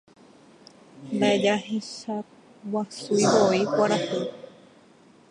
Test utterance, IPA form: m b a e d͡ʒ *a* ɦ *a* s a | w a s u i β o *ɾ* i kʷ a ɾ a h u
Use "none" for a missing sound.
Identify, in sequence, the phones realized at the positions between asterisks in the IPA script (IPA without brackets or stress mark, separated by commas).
a, e, none